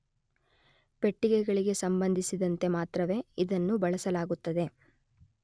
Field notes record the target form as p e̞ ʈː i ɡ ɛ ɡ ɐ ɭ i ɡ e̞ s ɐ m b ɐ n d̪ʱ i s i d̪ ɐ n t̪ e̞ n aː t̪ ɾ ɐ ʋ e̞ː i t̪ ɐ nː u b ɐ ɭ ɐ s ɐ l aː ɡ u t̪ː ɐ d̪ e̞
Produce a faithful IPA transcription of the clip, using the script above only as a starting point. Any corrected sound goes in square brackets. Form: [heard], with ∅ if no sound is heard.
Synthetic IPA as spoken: p e̞ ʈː i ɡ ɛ ɡ ɐ ɭ i ɡ e̞ s ɐ m b ɐ n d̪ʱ i s i d̪ ɐ n t̪ e̞ [m] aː t̪ ɾ ɐ ʋ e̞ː i [d̪] ɐ nː u b ɐ ɭ ɐ s ɐ l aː ɡ u t̪ː ɐ d̪ e̞

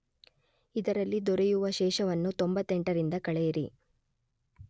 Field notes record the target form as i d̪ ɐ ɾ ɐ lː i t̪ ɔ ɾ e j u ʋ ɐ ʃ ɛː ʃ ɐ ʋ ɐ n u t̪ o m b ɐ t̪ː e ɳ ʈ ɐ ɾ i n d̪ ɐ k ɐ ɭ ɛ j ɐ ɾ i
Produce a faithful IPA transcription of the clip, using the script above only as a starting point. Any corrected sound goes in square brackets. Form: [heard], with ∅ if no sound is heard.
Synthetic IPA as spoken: i d̪ ɐ ɾ ɐ lː i [d̪] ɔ ɾ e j u ʋ ɐ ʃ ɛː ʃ ɐ ʋ ɐ [nː] u t̪ o m b ɐ t̪ː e ɳ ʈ ɐ ɾ i n d̪ ɐ k ɐ ɭ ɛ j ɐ ɾ i

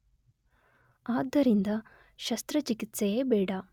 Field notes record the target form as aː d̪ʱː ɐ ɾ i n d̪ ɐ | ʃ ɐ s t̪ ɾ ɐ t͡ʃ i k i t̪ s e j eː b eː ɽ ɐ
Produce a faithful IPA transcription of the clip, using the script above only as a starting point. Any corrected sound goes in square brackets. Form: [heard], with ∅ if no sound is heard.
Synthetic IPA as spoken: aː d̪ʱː ɐ ɾ i n d̪ ɐ | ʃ ɐ s t̪ ɾ ɐ t͡ʃ i k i t̪ s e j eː b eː ɽ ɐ

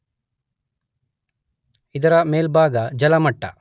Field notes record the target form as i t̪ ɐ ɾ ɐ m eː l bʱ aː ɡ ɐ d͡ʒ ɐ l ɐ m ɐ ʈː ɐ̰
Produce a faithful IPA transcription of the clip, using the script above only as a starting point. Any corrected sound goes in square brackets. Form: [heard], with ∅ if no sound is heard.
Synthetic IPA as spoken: i [d̪] ɐ ɾ ɐ m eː l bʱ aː ɡ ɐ d͡ʒ ɐ l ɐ m ɐ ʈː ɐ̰

